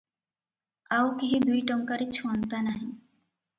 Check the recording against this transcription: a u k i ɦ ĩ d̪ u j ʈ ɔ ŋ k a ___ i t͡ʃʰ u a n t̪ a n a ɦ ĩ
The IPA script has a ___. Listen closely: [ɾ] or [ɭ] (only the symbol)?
ɾ